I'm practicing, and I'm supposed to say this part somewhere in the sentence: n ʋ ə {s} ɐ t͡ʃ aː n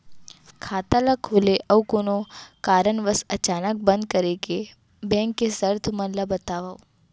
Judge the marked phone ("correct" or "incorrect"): correct